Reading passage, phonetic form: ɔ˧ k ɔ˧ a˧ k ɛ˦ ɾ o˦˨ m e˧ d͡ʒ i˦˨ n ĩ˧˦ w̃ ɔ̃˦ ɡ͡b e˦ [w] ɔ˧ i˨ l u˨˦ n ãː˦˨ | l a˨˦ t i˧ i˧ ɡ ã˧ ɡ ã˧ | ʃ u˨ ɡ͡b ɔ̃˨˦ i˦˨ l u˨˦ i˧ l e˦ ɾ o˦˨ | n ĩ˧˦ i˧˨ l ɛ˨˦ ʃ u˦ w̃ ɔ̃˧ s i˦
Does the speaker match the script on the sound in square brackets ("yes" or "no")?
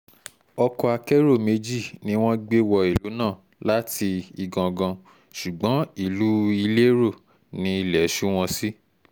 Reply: yes